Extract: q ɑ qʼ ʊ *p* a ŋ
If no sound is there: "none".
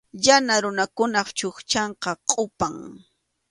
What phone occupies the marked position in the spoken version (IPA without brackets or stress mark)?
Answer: p